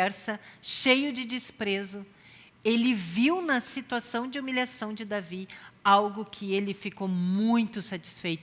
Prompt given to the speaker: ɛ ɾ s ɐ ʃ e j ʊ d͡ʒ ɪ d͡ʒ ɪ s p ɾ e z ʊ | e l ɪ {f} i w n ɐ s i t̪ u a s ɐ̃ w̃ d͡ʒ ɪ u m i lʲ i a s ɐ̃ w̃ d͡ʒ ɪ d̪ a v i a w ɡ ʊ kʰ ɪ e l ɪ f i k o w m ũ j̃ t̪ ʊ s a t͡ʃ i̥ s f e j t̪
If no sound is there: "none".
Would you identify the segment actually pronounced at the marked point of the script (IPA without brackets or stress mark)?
v